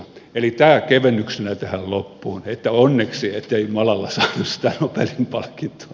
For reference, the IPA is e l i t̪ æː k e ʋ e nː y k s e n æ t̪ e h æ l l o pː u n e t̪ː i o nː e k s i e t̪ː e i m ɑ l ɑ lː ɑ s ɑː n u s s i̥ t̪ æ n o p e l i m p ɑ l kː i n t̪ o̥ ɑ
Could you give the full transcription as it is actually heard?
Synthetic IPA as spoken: e l i t̪ æː k e ʋ e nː y k s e n æ t̪ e h æ l l o pː uː n e t̪ː æ o nː e k s i e t̪ː e i m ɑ l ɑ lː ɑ s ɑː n u s s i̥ t̪ æ n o p e l i m p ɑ l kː i n t̪ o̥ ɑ